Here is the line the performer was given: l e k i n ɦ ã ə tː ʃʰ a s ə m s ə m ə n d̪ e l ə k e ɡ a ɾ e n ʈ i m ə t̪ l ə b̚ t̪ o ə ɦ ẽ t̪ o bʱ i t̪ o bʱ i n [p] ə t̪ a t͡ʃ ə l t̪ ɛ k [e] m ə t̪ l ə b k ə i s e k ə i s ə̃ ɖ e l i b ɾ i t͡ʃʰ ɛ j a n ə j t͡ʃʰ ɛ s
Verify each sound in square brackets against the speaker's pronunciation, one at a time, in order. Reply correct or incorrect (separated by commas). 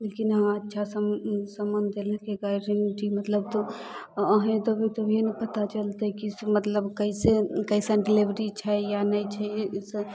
correct, incorrect